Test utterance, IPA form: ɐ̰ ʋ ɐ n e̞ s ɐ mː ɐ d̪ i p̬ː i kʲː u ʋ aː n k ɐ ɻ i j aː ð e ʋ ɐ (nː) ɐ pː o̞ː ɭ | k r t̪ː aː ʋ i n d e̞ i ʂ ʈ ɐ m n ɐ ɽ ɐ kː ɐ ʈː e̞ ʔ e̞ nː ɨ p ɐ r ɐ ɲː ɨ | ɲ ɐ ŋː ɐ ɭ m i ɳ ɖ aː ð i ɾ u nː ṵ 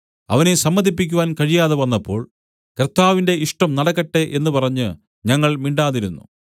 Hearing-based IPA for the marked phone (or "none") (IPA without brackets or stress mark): nː